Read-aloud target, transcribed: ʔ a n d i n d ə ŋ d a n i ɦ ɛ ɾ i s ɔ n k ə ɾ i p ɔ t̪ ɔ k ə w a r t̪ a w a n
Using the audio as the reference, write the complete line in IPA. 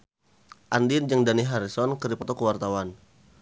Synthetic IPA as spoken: ʔ a n d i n d͡ʒ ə ŋ d a n i ɦ a ɾ i s ɔ n k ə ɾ i p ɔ t̪ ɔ k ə w a r t̪ a w a n